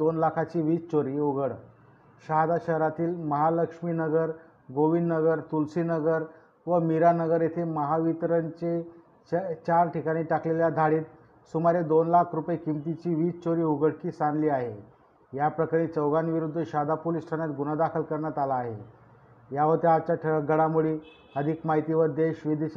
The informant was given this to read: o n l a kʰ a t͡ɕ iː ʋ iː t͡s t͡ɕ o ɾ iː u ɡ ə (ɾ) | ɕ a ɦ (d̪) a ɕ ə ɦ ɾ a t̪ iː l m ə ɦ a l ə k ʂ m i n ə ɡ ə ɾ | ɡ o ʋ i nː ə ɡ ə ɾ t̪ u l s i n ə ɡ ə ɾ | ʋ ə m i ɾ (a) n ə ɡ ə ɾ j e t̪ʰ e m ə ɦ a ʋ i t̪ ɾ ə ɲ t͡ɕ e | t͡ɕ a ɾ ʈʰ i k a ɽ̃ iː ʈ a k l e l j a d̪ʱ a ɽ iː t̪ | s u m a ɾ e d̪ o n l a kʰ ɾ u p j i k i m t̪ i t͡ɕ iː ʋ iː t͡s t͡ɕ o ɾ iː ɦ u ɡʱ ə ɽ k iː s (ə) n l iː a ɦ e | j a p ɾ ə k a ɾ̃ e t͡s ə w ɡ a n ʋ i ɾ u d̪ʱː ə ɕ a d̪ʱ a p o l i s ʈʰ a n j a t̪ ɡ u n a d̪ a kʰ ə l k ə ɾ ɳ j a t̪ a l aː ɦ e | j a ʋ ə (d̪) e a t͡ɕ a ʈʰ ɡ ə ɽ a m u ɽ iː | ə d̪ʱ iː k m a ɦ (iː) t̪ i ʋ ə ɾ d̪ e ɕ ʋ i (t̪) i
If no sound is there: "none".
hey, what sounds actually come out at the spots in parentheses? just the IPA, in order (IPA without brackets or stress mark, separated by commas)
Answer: ɽ, d̪, a, a, t̪, i, d̪